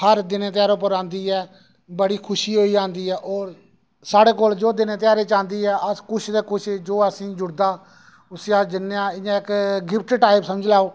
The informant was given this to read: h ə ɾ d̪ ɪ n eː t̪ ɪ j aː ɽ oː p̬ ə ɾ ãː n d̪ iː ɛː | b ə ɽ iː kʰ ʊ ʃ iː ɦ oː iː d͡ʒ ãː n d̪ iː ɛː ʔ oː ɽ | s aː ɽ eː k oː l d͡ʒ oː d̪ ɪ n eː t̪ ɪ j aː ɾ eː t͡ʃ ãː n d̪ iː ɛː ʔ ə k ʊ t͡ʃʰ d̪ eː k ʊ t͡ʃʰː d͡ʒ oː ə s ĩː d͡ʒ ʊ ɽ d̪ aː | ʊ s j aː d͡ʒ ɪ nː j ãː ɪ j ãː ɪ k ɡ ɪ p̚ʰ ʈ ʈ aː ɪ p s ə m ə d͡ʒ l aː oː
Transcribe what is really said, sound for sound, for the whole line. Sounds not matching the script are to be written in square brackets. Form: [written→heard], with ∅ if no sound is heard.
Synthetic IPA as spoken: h ə ɾ d̪ ɪ n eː t̪ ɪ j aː [ɽ→ɾ] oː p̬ ə ɾ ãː n d̪ iː ɛː | b ə ɽ iː kʰ ʊ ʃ iː ɦ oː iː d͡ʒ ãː n d̪ iː ɛː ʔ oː [ɽ→ɾ] | s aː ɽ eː k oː l d͡ʒ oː d̪ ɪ n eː t̪ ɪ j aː ɾ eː t͡ʃ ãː n d̪ iː ɛː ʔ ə k ʊ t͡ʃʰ d̪ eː k ʊ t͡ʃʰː d͡ʒ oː ə s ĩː d͡ʒ ʊ ɽ d̪ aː | ʊ s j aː d͡ʒ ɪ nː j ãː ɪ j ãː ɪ k ɡ ɪ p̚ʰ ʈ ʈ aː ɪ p s ə m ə d͡ʒ l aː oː